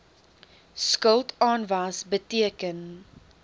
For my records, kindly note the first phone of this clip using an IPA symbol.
s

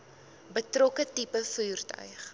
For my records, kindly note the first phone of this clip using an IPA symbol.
b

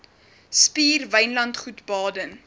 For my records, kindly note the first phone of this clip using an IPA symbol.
s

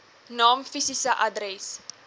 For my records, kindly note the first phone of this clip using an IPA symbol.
n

